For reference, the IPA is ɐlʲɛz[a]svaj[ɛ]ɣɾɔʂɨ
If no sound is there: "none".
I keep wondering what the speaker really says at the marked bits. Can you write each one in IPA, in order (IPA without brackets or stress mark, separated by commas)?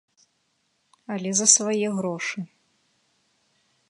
ɐ, ɛ